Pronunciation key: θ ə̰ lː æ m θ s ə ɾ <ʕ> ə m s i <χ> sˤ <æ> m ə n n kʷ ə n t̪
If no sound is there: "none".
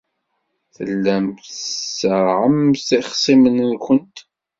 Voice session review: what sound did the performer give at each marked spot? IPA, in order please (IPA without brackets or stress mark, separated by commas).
ʕ, χ, i